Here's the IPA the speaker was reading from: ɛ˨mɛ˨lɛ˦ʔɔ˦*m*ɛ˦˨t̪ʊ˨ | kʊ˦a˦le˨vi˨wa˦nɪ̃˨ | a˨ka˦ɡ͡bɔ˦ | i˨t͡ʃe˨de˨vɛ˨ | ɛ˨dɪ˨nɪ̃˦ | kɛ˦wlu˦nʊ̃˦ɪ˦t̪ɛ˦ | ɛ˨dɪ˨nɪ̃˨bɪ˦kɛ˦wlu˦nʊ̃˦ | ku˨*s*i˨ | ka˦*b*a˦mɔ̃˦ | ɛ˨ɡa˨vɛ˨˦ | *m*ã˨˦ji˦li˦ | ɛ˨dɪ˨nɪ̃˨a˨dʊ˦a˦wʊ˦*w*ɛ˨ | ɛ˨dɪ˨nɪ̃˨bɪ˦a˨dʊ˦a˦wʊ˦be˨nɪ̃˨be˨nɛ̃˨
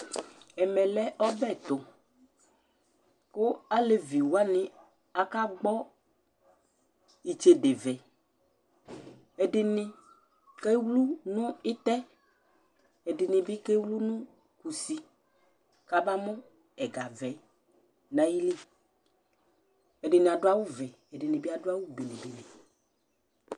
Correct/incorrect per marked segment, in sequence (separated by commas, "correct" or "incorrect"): incorrect, correct, correct, incorrect, incorrect